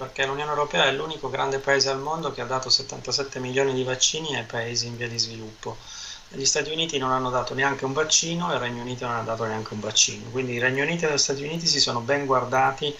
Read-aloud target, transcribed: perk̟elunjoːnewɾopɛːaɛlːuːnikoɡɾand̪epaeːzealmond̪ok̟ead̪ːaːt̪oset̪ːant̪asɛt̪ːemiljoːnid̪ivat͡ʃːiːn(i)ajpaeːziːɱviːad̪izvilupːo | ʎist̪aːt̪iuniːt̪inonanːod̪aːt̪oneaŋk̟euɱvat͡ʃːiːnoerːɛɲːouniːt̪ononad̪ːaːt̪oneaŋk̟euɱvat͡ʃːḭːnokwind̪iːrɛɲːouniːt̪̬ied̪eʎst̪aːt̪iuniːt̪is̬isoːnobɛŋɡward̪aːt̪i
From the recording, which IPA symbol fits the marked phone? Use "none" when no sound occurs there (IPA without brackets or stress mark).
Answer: i